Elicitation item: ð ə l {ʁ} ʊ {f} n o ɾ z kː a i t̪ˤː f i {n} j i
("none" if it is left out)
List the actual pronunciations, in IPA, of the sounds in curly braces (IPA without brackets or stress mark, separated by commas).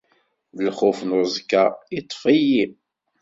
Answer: χ, f, none